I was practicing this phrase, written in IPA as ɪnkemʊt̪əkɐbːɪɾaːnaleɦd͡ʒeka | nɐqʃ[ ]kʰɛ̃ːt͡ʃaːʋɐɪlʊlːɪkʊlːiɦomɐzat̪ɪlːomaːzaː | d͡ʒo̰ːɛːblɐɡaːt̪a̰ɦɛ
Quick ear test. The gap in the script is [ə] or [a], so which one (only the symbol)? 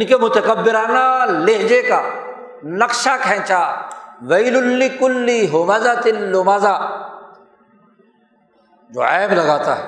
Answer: a